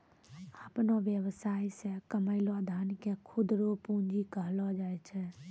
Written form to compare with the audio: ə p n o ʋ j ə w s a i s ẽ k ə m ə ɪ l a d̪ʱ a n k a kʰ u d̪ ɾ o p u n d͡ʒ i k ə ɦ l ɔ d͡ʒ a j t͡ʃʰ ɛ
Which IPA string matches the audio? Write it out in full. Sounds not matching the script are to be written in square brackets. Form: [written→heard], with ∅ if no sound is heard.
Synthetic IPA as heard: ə p n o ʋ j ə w s a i s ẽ k ə m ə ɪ l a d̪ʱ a n k [a→e] kʰ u d̪ ɾ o p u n d͡ʒ i k ə ɦ l ɔ d͡ʒ a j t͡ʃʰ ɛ